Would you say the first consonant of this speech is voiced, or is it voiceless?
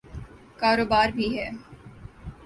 voiceless